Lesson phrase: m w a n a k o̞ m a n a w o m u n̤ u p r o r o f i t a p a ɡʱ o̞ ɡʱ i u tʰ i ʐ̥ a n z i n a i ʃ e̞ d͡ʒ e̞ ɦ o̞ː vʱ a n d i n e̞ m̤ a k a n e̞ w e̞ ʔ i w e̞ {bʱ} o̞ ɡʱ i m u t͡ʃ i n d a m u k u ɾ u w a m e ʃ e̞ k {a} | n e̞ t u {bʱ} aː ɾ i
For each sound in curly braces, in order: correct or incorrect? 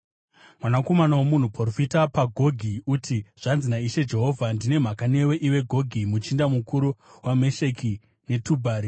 incorrect: ɡʱ, incorrect: i, correct

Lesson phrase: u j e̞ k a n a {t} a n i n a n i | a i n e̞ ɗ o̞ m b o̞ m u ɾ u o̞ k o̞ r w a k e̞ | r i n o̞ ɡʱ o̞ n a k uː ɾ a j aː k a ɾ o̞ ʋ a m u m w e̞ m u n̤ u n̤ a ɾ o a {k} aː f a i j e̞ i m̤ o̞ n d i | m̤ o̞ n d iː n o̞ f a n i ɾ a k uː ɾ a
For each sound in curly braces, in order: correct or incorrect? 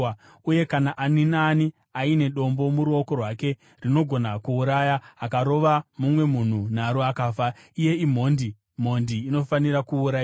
incorrect: ʔ, correct

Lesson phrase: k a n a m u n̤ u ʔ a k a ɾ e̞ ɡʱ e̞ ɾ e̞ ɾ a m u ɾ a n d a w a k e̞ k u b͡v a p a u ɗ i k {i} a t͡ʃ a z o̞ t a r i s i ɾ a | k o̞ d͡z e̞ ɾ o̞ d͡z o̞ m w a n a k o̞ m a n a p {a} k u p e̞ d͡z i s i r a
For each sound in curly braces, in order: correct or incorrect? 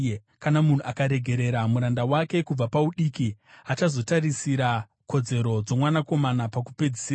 correct, correct

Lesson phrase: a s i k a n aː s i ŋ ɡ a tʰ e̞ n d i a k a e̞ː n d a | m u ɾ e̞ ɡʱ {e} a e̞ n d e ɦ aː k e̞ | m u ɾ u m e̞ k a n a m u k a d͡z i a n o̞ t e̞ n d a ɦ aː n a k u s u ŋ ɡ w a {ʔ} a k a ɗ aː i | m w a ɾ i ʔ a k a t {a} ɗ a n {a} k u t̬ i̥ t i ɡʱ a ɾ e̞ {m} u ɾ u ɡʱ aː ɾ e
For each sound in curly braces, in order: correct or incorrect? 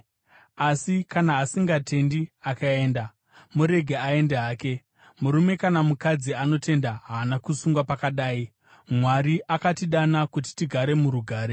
correct, incorrect: p, incorrect: i, correct, correct

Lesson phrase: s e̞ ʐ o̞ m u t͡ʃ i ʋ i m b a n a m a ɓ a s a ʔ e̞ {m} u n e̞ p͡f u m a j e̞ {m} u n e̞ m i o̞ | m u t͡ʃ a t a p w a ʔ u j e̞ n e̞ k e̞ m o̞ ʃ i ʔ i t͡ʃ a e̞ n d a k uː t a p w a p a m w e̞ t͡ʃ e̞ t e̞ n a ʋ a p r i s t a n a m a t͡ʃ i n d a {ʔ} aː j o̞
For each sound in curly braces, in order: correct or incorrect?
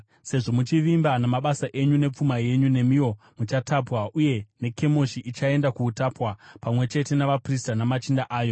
incorrect: ɲ, incorrect: ɲ, correct

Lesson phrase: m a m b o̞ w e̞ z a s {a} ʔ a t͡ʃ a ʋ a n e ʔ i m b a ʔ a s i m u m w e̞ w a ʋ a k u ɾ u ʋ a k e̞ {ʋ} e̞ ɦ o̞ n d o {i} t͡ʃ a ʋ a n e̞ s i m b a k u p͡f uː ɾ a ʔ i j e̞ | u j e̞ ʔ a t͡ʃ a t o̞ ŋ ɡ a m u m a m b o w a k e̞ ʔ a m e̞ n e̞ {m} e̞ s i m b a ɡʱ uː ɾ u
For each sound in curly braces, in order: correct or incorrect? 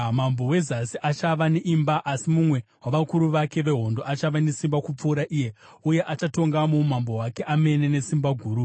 incorrect: i, correct, incorrect: a, incorrect: n

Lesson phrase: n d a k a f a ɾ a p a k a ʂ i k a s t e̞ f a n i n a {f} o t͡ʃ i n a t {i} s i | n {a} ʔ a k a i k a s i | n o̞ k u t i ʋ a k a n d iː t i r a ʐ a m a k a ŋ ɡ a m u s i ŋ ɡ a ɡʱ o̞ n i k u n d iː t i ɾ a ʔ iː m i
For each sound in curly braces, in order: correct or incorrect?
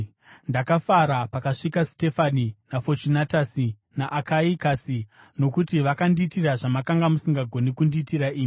correct, incorrect: a, correct

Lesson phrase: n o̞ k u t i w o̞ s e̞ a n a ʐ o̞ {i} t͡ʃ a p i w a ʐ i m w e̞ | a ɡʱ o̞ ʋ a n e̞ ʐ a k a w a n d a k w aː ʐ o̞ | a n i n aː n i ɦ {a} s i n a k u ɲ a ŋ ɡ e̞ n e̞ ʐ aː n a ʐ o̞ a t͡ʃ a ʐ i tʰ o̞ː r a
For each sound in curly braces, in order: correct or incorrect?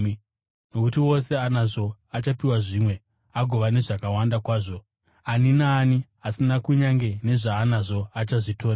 incorrect: a, correct

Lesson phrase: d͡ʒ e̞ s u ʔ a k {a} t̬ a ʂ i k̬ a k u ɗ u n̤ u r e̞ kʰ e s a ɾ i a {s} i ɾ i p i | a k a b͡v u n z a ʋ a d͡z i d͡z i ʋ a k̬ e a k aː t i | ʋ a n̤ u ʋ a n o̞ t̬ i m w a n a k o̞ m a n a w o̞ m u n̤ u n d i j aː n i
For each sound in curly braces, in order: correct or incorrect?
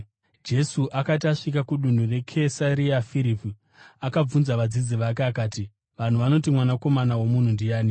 correct, incorrect: f

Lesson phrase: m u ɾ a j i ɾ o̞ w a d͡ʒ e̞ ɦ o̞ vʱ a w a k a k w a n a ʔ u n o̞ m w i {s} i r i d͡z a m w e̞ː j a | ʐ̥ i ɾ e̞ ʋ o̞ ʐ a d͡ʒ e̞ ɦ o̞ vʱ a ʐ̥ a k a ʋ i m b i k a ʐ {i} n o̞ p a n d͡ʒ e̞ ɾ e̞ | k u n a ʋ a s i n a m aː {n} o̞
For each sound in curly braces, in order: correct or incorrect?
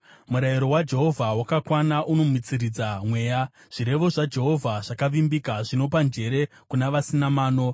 incorrect: t͡s, correct, correct

